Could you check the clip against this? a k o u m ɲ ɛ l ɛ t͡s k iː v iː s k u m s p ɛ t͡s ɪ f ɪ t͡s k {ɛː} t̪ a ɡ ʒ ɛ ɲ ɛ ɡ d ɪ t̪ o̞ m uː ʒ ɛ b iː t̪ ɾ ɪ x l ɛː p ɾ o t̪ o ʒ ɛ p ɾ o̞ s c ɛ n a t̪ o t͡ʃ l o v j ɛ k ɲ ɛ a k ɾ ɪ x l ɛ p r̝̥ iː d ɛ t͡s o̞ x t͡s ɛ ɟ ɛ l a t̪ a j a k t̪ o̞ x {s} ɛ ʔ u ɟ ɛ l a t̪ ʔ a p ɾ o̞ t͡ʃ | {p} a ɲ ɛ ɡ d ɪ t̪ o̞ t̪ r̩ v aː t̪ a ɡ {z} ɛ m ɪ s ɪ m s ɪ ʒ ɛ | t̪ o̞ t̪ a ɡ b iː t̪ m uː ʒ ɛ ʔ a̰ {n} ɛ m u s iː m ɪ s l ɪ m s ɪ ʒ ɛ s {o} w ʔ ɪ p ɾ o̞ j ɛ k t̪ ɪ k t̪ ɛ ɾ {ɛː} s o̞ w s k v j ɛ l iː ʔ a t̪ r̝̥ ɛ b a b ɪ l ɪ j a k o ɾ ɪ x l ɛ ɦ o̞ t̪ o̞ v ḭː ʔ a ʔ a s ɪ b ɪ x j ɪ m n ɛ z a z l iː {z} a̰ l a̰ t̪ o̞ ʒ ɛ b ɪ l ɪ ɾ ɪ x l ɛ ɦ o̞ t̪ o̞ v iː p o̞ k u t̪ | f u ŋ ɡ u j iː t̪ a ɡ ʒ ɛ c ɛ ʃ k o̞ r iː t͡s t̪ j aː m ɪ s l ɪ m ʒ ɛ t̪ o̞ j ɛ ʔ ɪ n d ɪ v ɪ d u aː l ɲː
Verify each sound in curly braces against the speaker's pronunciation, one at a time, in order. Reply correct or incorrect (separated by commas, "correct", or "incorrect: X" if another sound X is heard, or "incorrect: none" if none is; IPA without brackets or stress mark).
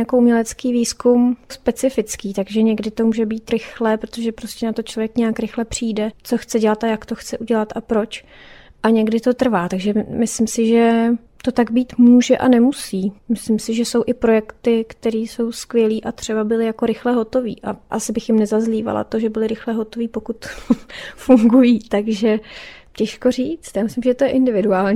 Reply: incorrect: iː, incorrect: t͡s, incorrect: ʔ, incorrect: ʒ, correct, correct, incorrect: iː, incorrect: v